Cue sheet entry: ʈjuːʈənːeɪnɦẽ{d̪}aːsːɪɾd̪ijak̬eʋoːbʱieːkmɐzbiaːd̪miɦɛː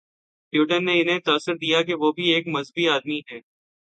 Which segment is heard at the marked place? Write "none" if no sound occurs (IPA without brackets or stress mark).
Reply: t̪